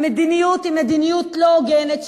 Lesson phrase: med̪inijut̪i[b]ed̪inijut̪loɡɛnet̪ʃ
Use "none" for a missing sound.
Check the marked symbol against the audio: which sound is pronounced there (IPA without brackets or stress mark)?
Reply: m